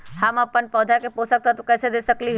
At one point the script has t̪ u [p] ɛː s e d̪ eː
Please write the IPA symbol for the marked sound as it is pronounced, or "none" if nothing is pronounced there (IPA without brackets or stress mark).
k